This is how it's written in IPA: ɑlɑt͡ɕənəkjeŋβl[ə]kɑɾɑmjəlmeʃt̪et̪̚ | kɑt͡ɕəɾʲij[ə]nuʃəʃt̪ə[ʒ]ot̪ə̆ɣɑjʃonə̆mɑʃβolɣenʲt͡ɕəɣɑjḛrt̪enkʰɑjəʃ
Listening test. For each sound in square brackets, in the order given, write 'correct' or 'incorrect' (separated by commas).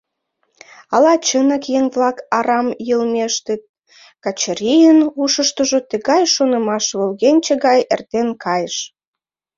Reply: incorrect, correct, correct